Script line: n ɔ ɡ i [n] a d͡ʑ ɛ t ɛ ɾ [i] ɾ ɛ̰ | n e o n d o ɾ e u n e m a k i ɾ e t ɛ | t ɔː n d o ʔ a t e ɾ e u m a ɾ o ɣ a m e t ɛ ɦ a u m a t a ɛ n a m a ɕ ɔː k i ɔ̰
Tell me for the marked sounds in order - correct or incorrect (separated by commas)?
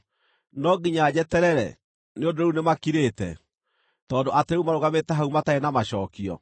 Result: incorrect, incorrect